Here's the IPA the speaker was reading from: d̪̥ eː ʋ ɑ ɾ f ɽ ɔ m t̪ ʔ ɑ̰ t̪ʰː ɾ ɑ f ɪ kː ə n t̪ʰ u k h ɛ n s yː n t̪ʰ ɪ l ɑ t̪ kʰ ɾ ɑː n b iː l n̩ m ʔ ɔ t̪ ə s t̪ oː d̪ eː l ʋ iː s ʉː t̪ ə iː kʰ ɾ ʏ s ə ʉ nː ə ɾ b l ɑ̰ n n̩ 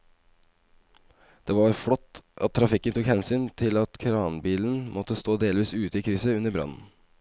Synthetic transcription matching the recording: d̪̥ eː ʋ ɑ ɾ f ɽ ɔ t̪ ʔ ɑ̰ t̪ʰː ɾ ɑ f ɪ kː ə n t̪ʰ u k h ɛ n s yː n t̪ʰ ɪ l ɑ t̪ kʰ ɾ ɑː n b iː l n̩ m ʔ ɔ t̪ ə s t̪ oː d̪ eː l ʋ iː s ʉː t̪ ə iː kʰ ɾ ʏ s ə ʉ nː ə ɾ b ɾ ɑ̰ n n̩